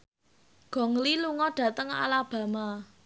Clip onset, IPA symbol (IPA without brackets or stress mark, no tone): ɡ̥